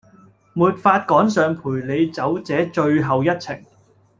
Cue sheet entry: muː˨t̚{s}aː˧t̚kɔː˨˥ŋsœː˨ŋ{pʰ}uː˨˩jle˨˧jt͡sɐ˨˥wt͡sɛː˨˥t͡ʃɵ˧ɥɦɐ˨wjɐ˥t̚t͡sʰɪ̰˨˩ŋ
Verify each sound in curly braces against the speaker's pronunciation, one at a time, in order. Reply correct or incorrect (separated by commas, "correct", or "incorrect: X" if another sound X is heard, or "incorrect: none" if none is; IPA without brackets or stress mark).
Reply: incorrect: f, correct